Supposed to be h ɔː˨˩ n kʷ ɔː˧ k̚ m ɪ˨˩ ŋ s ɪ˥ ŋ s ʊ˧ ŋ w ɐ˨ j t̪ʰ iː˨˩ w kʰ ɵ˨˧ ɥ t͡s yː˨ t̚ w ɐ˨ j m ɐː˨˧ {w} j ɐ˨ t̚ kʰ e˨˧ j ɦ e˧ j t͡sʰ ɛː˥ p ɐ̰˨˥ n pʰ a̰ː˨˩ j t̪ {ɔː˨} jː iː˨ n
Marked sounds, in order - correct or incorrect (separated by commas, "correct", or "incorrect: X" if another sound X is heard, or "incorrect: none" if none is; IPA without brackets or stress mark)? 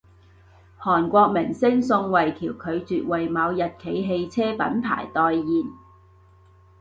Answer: correct, correct